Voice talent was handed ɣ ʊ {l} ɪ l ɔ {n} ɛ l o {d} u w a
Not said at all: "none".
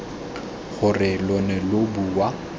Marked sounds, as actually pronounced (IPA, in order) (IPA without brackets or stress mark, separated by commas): r, n, b